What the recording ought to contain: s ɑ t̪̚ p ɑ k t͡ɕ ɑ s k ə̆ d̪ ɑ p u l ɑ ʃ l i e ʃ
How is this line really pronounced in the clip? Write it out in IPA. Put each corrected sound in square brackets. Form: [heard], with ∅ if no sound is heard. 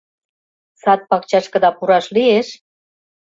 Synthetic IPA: s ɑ t̪̚ p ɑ k t͡ɕ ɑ [ʃ] k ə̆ d̪ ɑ p u [ɾ] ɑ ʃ l i e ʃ